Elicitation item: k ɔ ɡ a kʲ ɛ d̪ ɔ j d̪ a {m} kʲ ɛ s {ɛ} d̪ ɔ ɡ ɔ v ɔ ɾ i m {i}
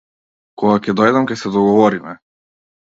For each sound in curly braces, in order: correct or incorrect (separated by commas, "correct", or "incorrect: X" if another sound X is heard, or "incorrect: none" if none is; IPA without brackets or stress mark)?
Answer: correct, correct, incorrect: ɛ